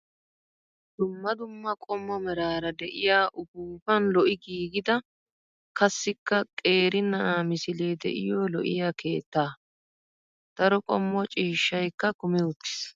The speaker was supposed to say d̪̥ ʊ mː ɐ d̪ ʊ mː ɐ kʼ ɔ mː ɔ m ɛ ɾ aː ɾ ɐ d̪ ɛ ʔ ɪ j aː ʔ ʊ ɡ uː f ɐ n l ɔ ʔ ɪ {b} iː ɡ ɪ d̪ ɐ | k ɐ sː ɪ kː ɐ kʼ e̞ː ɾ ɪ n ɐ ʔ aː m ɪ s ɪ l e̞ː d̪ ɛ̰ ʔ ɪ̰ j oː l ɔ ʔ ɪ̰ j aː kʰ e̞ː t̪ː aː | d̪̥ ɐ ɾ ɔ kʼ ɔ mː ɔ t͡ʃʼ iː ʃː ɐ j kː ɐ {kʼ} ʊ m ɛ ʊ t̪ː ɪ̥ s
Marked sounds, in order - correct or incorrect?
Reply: incorrect: ɡ, incorrect: k

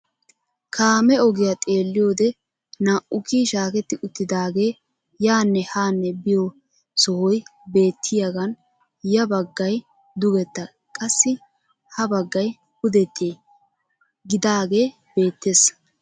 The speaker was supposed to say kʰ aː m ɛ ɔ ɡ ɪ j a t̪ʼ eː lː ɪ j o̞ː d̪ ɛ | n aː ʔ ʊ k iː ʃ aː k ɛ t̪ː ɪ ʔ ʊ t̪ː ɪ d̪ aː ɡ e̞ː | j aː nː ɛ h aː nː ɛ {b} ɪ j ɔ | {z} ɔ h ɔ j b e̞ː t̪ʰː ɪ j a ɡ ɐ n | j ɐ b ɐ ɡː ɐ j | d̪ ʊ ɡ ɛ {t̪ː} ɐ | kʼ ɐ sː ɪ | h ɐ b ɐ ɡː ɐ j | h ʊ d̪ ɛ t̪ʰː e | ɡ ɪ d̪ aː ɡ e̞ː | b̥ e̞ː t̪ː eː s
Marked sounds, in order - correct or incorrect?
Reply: correct, incorrect: s, correct

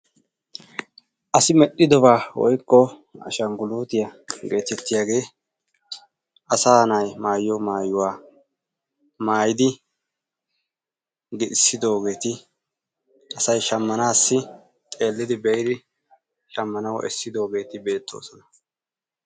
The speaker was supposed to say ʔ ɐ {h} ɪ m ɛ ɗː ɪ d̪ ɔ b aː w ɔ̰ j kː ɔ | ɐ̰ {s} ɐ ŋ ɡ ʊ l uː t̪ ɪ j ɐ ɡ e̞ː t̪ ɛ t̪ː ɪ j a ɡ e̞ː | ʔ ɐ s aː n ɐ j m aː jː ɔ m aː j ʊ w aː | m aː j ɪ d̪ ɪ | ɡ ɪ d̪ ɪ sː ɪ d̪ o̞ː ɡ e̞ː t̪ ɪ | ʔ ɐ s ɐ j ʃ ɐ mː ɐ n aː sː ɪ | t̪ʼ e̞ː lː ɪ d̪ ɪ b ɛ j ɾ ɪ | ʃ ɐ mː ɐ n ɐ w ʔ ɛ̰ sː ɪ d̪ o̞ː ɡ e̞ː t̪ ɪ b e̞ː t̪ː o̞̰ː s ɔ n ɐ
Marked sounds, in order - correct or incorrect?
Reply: incorrect: s, incorrect: ʃ

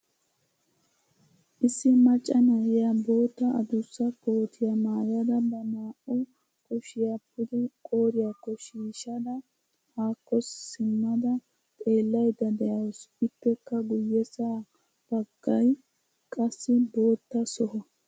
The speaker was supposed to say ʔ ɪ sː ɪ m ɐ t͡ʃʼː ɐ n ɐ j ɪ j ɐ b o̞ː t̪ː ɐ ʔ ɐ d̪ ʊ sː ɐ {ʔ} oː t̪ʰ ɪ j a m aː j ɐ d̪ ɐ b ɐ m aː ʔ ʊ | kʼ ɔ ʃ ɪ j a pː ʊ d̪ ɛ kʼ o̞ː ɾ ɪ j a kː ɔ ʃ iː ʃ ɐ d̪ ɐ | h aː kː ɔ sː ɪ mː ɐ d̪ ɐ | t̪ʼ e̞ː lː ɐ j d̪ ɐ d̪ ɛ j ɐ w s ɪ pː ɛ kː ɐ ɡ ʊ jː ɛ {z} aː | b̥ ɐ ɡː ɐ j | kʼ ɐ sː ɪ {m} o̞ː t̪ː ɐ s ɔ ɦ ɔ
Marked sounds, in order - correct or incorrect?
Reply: incorrect: k, incorrect: s, incorrect: b

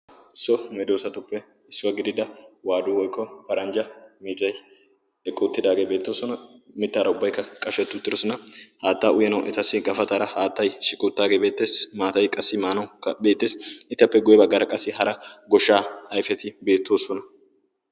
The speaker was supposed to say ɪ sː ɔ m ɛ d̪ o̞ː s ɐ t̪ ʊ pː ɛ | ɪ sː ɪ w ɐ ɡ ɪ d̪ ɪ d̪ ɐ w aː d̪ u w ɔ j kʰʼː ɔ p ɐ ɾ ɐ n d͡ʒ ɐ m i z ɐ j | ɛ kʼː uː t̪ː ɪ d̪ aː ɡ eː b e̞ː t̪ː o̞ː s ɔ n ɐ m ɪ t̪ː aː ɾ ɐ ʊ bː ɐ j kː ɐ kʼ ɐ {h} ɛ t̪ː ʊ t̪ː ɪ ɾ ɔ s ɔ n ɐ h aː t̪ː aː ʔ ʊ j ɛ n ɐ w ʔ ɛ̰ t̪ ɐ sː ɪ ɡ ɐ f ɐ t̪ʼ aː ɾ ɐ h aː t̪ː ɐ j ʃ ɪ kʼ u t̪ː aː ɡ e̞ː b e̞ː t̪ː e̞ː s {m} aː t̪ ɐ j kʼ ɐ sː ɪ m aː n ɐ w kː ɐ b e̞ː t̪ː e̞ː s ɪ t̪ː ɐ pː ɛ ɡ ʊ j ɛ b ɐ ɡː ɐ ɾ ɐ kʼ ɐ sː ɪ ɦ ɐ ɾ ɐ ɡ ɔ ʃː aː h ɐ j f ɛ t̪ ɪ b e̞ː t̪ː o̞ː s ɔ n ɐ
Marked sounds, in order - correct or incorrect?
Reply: incorrect: ʃ, correct

